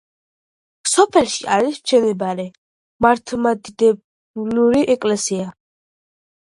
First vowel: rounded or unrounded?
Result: rounded